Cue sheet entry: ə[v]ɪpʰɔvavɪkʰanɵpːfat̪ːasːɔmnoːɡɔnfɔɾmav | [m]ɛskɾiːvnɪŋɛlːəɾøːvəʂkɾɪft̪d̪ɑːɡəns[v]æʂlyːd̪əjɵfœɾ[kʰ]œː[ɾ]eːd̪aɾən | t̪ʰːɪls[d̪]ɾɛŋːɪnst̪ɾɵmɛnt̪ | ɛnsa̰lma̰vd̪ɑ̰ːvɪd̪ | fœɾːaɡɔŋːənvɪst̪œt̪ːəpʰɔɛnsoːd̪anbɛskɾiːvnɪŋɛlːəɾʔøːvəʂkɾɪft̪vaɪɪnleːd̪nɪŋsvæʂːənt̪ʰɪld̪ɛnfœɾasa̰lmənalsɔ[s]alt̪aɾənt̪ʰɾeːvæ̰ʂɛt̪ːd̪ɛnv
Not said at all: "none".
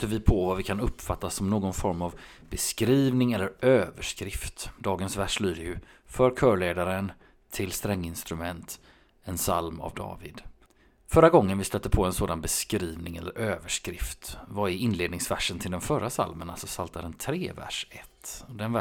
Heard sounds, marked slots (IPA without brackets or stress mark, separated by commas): v, b, v, kʰ, ɭ, t̪, s